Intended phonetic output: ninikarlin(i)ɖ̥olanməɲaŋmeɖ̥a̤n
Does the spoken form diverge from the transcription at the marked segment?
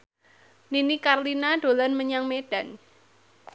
yes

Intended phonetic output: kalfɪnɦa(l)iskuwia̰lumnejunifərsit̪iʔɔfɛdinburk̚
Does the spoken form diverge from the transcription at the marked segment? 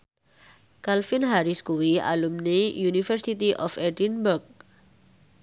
yes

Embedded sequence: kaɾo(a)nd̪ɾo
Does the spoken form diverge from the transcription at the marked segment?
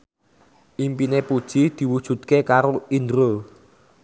yes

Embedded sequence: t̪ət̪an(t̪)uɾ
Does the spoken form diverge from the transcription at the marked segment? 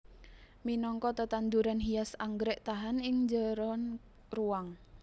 yes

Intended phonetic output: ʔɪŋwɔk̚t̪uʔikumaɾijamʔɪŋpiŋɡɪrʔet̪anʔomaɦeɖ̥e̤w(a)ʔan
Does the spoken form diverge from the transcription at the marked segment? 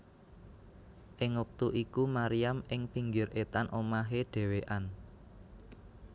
yes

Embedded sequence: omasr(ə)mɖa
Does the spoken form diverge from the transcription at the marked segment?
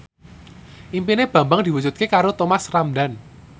yes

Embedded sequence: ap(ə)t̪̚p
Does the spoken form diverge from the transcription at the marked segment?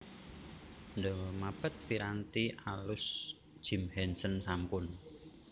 no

